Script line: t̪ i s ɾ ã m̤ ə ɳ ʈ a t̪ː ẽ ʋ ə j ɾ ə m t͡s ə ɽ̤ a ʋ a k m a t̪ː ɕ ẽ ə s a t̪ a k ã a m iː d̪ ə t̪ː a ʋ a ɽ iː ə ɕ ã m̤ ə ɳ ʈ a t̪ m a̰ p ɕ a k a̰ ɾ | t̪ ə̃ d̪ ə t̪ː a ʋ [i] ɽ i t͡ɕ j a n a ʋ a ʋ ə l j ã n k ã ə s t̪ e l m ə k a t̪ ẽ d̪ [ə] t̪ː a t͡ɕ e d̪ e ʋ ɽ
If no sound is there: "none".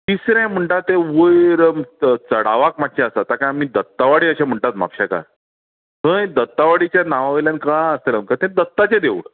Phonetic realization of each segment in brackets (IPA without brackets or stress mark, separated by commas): a, ə